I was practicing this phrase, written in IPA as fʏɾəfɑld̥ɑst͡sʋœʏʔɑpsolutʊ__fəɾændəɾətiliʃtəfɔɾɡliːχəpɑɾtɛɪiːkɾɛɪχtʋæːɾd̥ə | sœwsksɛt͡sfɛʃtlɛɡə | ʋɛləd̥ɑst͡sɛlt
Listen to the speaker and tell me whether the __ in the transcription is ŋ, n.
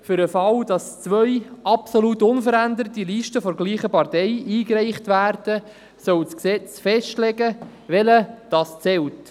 n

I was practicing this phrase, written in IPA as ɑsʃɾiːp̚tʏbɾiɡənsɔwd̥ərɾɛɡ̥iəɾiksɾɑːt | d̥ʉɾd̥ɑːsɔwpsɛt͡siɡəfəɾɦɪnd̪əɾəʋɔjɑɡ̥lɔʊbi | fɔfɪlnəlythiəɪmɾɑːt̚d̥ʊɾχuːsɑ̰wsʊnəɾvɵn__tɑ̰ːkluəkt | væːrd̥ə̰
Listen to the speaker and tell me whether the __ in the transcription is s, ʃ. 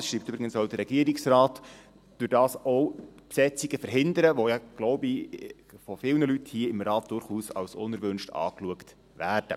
ʃ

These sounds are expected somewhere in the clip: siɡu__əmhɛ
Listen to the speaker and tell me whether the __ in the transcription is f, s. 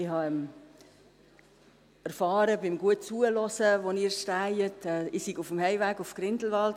f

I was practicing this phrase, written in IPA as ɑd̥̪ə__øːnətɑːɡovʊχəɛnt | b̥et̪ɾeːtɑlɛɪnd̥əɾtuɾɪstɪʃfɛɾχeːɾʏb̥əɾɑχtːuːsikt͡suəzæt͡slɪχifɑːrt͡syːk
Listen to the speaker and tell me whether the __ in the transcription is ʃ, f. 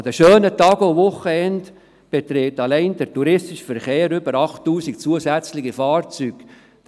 ʃ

